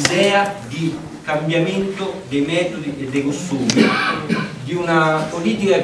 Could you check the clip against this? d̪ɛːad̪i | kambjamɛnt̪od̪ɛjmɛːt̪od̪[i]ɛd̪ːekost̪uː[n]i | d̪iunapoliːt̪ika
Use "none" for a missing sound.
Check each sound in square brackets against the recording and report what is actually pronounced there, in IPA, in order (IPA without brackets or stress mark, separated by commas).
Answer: i, m